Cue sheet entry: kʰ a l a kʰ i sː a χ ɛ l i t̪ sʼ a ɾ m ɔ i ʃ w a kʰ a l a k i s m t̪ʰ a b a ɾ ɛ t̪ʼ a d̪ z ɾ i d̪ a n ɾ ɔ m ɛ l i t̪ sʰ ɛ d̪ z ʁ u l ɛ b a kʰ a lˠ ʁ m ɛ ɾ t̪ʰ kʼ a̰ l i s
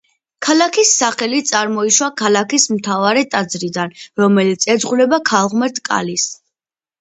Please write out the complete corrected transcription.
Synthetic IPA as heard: kʰ a l a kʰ i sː a χ ɛ l i t̪ sʼ a ɾ m ɔ i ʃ w a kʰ a l a k i s m t̪ʰ a v a ɾ ɛ t̪ʼ a d̪ z ɾ i d̪ a n ɾ ɔ m ɛ l i t̪ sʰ ɛ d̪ z ʁ u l ɛ b a kʰ a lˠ ʁ m ɛ ɾ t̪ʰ kʼ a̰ l i s